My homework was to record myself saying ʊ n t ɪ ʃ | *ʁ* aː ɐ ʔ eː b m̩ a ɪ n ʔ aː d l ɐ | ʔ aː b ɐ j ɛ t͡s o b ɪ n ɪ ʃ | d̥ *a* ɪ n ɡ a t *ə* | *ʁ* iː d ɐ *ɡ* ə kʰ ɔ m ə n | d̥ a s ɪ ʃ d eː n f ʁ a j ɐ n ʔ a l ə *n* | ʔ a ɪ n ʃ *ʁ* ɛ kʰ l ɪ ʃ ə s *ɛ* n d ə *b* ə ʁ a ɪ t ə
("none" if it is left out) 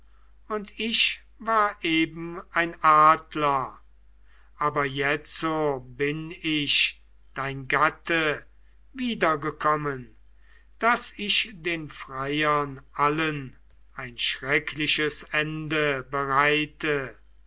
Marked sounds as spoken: v, a, ə, v, ɡ, n, ʁ, ɛ, b

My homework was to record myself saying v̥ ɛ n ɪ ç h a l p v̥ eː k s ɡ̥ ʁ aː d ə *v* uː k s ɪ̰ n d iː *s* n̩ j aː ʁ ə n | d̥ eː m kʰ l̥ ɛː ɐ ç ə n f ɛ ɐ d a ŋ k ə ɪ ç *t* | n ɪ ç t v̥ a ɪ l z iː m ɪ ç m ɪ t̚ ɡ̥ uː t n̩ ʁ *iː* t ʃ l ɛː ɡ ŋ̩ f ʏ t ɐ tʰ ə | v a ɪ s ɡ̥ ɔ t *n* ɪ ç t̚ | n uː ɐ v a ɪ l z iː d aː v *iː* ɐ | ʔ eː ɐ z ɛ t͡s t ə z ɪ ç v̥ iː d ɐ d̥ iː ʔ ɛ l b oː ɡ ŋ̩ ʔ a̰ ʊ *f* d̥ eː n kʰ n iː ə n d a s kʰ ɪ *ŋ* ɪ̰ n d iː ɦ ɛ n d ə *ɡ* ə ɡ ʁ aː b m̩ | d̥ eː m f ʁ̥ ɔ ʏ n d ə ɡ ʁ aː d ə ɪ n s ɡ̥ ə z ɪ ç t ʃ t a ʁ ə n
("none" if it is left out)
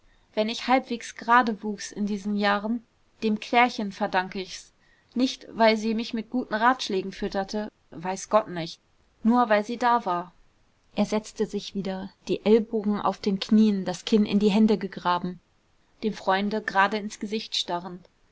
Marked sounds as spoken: v, z, s, aː, n, aː, f, n, ɡ

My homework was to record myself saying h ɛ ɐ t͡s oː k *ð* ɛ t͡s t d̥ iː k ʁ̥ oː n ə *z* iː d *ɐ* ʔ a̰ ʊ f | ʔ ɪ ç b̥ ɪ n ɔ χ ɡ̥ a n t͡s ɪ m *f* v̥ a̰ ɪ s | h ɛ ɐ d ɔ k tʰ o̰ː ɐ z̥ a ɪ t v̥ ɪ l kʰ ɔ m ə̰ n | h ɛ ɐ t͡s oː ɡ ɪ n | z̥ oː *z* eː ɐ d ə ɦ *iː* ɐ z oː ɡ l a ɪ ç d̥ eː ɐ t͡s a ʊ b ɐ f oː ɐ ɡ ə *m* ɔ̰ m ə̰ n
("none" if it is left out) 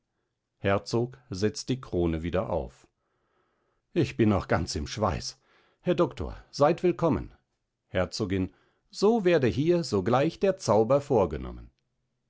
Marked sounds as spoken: z, v, ɐ, ʃ, v, iː, n

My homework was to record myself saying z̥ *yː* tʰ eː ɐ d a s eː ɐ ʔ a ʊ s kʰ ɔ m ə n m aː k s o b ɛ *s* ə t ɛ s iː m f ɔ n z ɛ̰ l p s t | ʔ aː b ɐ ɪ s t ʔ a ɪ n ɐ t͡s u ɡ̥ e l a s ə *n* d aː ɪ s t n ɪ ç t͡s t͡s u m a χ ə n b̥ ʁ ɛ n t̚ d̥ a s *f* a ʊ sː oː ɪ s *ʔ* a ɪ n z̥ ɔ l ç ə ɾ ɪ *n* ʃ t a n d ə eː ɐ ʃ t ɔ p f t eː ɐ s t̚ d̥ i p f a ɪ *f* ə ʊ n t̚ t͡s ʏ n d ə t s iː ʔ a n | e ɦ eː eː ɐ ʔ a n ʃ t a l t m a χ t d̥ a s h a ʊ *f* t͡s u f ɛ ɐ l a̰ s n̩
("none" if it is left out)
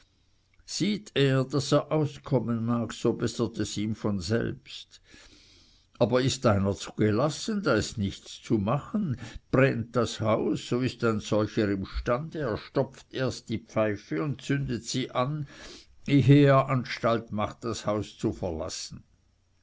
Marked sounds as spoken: iː, s, n, h, t, m, f, s

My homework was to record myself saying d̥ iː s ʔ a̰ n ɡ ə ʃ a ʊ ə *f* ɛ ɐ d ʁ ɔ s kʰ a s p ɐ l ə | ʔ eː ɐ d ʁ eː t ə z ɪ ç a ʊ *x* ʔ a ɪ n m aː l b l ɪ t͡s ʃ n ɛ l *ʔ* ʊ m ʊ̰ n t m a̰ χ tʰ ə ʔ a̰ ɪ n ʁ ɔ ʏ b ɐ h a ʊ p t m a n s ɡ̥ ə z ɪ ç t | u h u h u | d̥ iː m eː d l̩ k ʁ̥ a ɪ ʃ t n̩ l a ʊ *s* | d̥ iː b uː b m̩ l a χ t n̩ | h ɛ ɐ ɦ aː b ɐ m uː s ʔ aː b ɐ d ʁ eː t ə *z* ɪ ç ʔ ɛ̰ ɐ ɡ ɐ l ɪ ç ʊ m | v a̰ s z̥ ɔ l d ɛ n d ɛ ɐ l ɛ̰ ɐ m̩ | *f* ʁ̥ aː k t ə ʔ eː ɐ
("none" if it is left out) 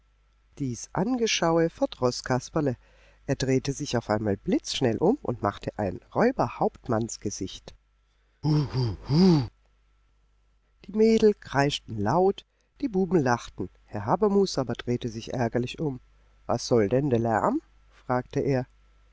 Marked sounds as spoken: f, f, ʔ, t, z, f

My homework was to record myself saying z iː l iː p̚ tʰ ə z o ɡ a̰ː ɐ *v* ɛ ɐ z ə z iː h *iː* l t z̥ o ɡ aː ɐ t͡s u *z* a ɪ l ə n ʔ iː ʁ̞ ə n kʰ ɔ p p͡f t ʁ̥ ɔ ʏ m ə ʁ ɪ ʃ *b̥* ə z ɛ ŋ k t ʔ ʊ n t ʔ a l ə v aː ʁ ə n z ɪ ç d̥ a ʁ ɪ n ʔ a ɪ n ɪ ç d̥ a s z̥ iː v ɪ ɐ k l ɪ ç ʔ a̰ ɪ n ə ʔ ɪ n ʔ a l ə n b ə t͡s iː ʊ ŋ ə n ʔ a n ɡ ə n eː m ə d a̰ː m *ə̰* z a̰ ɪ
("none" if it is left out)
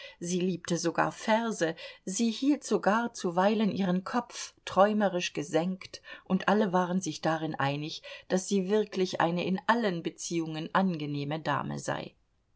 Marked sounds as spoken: f, iː, v, ɡ̥, ə̰

